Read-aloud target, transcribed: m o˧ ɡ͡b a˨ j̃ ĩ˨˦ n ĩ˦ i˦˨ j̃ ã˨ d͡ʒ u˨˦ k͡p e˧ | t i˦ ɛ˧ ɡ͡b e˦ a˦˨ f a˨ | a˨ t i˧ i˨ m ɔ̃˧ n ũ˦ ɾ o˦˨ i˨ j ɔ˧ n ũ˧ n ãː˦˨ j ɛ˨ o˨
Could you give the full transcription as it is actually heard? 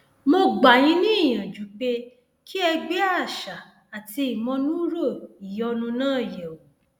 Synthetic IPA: m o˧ ɡ͡b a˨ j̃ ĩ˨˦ n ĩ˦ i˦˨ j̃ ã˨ d͡ʒ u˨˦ k͡p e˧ | k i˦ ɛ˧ ɡ͡b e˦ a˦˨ ʃ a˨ | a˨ t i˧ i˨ m ɔ̃˧ n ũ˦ ɾ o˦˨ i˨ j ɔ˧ n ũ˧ n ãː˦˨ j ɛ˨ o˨